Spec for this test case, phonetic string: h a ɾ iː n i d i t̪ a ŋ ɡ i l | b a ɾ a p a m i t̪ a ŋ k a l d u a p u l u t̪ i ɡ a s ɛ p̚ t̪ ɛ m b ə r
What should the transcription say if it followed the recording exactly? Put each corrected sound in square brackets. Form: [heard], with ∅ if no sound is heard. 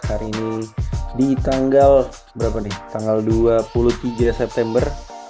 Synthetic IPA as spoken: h a ɾ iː n i d i t̪ a ŋ ɡ [a] l | b [ə] ɾ a p a [n] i t̪ a ŋ [ɡ] a l d u a p u l u t̪ i ɡ a s ɛ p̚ t̪ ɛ m b ə r